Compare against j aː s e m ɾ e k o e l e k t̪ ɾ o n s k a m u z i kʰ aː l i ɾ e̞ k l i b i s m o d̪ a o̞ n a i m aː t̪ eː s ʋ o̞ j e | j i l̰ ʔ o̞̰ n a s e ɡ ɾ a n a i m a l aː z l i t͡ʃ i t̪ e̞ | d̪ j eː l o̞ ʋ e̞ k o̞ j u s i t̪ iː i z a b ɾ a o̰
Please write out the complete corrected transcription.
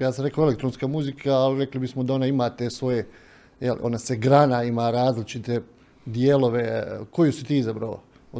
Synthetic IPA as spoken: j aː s a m ɾ e k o e l e k t̪ ɾ o n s k a m u z i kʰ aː l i ɾ e̞ k l i b i s m o d̪ a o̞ n a i m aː t̪ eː s ʋ o̞ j e | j e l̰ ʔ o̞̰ n a s e ɡ ɾ a n a i m a ɾ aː z l i t͡ʃ i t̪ e̞ | d̪ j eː l o̞ ʋ e̞ k o̞ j u s i t̪ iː i z a b ɾ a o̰